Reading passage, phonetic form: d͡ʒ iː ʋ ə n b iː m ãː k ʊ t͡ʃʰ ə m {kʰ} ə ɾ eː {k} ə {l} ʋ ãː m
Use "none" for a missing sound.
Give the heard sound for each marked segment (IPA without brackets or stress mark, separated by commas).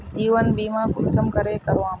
k, k, ɾ